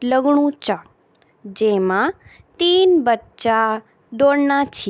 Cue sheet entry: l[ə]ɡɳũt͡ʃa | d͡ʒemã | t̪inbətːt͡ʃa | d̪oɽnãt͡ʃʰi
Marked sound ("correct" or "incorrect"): correct